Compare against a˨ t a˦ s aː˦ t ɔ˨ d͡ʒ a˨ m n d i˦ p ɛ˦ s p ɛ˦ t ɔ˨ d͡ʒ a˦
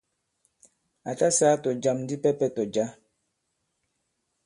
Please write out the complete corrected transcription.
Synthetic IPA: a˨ t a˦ s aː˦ t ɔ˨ d͡ʒ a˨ m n d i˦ p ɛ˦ p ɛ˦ t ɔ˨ d͡ʒ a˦